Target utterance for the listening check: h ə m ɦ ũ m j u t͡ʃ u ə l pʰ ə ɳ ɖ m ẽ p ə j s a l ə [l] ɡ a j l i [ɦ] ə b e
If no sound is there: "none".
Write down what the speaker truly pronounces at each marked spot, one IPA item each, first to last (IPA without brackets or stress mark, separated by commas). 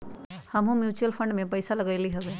none, ɦ